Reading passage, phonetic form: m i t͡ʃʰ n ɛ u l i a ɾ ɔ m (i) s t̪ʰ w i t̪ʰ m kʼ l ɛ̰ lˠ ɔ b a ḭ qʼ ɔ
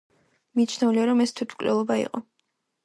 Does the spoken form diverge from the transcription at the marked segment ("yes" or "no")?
yes